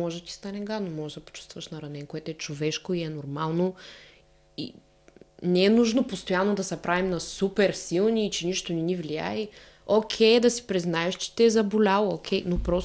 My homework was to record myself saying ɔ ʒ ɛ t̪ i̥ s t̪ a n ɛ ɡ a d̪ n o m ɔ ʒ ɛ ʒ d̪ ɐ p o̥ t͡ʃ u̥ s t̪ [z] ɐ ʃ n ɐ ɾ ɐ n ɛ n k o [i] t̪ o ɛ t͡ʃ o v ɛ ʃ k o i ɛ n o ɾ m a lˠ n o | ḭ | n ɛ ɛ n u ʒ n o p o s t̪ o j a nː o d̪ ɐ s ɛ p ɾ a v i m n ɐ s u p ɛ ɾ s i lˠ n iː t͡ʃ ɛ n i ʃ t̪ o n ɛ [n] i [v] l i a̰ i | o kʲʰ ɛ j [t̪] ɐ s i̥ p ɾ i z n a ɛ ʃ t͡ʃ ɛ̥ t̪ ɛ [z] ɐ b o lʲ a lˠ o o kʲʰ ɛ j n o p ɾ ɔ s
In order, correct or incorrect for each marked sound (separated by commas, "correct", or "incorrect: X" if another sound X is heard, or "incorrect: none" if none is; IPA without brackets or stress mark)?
incorrect: v, incorrect: ɛ, correct, correct, incorrect: d̪, correct